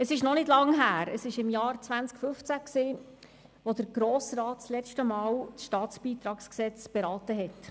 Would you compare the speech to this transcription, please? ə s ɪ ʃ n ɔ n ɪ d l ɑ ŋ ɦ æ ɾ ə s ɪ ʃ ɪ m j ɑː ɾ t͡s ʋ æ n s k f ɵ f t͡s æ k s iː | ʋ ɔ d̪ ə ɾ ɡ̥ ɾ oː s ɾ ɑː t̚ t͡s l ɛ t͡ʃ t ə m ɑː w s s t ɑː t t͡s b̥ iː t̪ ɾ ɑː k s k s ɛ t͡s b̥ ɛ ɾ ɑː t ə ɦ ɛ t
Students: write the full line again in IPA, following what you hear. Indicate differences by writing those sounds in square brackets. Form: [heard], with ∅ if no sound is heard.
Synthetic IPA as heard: ə s ɪ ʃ n ɔ n ɪ d l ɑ ŋ ɦ [æː] ɾ ə s ɪ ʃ ɪ m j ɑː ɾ t͡s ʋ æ n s k f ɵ f t͡s æ k s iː | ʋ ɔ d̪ ə ɾ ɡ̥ ɾ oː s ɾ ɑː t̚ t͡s l ɛ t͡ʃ t ə m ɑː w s [ʃ] t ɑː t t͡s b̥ iː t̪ ɾ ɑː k s k s ɛ t͡s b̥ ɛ ɾ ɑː t ə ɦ ɛ t